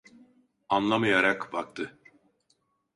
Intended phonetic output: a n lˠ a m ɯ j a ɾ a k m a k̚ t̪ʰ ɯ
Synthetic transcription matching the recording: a n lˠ a m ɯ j a ɾ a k b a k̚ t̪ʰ ɯ

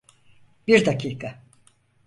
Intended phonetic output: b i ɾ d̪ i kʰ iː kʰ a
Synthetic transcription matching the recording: b i ɾ d̪ a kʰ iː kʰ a

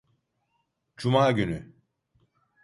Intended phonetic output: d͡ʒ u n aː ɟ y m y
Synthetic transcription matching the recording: d͡ʒ u m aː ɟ y n y

